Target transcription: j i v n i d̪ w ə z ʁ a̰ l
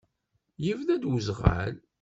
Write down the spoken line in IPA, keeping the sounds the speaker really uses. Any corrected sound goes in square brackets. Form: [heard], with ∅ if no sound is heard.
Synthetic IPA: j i v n [æ] d̪ w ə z ʁ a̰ l